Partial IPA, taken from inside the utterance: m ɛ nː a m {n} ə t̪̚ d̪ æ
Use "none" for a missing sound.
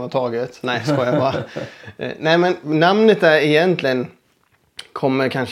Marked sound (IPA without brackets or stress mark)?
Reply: n